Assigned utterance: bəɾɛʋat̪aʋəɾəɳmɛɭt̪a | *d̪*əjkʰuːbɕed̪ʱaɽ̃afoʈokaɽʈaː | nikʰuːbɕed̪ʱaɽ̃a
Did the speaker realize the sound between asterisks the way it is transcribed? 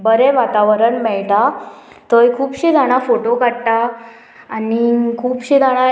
no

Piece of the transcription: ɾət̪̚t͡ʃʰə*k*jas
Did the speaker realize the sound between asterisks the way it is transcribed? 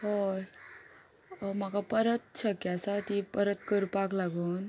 yes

